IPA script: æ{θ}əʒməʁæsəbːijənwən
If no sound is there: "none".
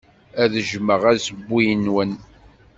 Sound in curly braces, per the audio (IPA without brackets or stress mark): ð